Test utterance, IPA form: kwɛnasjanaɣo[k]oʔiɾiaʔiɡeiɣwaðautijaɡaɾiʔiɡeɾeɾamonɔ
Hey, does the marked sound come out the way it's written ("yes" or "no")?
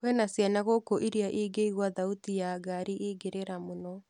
yes